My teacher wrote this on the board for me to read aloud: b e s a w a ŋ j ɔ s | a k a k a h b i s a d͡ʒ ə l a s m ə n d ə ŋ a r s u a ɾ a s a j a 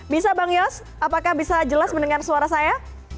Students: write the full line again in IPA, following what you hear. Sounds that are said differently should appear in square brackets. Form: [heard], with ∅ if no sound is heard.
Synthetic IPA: b [i] s a [b] a ŋ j ɔ s | a [p] a k a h b i s a d͡ʒ ə l a s m ə n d ə ŋ a r s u a ɾ a s a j a